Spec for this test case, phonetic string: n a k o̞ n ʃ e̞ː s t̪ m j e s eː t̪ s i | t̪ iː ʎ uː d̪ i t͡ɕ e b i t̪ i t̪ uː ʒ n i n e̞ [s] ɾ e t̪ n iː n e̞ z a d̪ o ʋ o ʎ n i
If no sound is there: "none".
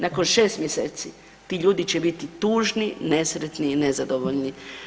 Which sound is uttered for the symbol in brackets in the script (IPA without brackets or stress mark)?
s